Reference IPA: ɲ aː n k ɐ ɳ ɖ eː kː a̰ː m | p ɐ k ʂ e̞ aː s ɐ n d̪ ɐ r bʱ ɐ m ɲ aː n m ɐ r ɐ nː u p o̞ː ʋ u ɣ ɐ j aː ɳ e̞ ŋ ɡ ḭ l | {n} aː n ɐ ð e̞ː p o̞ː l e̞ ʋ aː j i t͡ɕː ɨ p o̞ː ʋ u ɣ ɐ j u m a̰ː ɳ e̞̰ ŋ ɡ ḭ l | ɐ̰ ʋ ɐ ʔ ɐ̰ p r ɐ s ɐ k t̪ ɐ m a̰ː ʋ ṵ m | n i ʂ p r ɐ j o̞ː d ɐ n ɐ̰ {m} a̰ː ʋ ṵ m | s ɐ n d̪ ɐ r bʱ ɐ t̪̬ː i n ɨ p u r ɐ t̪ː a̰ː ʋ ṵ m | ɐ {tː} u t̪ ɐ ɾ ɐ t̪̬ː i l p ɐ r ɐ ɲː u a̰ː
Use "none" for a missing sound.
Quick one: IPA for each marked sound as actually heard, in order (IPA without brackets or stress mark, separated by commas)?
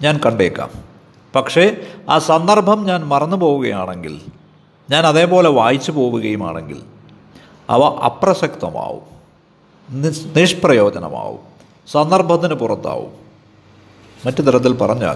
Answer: ɲ, m, tː